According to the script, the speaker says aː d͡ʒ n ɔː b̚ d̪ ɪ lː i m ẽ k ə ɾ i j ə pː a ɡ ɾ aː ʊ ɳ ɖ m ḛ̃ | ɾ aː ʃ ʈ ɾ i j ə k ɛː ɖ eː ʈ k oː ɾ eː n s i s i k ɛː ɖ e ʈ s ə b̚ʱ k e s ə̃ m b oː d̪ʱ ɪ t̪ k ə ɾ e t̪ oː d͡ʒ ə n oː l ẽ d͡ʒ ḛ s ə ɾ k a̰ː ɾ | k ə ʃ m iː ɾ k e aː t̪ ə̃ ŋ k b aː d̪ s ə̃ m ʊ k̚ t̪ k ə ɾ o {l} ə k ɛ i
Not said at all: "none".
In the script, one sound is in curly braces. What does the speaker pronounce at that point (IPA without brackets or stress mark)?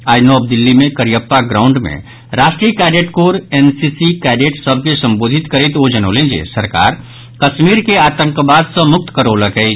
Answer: l